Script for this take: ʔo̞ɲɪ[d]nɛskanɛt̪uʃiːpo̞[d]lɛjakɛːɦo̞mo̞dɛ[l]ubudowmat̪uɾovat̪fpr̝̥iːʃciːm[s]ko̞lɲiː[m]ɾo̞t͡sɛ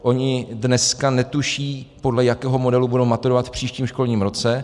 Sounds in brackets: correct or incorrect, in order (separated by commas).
correct, correct, correct, incorrect, correct